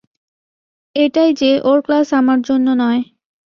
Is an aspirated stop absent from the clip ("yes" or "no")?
yes